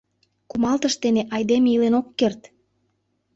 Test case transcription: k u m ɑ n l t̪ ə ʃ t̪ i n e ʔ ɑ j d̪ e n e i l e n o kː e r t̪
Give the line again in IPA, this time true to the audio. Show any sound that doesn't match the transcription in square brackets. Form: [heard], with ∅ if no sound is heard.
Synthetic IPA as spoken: k u m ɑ [∅] l t̪ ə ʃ t̪ [e] n e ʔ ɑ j d̪ e [m] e i l e n o kː e r t̪